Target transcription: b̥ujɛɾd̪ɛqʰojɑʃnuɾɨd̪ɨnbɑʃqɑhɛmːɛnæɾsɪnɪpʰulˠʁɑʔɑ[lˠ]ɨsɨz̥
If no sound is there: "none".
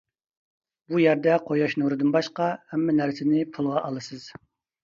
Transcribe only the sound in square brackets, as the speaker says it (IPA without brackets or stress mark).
lˠ